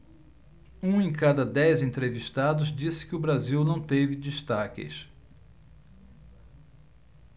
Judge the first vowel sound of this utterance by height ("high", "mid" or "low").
high